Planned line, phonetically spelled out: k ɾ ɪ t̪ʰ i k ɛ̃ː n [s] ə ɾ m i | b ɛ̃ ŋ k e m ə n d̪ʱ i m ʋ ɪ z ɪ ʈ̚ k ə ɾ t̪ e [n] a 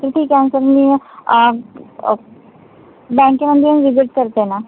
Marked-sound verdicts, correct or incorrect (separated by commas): correct, correct